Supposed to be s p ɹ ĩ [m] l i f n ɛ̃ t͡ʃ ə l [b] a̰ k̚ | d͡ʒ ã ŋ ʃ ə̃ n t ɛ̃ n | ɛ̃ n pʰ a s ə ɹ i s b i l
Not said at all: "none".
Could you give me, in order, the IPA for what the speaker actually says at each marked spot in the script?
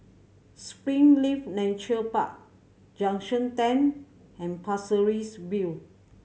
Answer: ŋ, p

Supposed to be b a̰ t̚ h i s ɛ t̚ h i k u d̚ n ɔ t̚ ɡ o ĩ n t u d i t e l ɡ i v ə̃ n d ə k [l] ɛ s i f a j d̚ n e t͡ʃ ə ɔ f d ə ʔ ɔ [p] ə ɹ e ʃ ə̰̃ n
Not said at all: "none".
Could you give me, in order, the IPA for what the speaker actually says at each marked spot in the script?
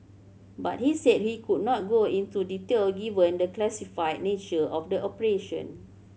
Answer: l, p

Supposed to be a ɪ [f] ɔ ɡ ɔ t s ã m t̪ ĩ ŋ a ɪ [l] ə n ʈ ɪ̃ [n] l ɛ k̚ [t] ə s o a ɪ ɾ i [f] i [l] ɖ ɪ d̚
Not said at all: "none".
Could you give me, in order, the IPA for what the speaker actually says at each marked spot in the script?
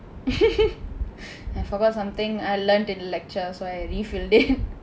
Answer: f, l, n, t͡ʃ, f, l

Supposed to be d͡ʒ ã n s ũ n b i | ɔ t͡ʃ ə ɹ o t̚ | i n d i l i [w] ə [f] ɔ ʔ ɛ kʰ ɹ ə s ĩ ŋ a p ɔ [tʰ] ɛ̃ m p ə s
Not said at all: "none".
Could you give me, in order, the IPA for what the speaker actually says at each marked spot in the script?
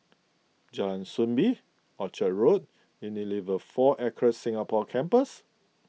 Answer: v, f, kʰ

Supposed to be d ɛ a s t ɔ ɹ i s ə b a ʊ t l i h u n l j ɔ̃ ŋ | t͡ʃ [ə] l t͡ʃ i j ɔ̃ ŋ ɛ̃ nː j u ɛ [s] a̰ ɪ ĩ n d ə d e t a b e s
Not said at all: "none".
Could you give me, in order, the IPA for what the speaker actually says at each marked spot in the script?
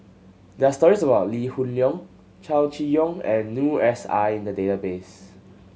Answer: a, s

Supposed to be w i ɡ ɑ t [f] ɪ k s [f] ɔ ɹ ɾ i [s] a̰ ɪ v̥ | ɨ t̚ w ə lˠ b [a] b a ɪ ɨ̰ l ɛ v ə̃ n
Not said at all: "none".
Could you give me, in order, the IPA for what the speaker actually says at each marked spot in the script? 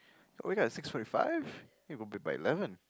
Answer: s, f, f, i

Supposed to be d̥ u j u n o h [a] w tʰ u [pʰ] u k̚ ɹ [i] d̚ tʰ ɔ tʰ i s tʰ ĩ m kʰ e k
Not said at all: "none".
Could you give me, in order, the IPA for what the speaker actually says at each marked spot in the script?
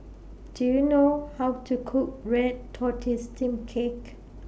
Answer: a, kʰ, ɛ

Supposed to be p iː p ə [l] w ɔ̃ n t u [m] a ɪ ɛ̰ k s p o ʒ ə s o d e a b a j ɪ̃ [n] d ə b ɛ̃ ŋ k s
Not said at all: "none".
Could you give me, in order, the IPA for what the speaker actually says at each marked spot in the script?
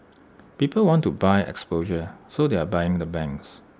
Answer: l, b, ŋ

